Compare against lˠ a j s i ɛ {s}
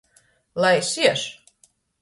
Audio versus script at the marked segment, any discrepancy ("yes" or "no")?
yes